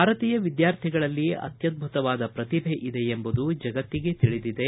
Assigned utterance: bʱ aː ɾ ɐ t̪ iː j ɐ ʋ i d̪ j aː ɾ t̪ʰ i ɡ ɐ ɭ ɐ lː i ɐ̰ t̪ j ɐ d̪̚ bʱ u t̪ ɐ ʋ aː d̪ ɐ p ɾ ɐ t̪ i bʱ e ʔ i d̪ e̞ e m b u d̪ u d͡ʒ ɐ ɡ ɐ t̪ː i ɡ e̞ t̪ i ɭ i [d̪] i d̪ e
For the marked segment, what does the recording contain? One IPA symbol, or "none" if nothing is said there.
d̪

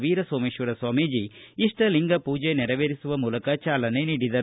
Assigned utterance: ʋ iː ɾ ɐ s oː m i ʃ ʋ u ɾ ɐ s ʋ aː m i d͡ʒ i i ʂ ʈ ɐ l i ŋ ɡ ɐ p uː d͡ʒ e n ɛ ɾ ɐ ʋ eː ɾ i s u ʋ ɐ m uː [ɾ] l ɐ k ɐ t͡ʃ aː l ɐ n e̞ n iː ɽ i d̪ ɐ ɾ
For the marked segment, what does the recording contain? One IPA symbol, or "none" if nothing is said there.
none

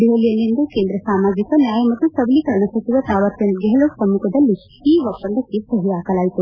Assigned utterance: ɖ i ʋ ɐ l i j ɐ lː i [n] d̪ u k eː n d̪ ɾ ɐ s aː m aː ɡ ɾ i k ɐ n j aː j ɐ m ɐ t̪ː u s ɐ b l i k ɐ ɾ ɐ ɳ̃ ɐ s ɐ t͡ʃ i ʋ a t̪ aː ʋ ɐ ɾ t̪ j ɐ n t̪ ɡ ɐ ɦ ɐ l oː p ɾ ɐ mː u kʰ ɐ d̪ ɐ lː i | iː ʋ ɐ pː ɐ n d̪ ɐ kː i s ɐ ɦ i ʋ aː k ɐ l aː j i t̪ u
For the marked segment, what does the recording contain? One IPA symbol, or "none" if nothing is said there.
n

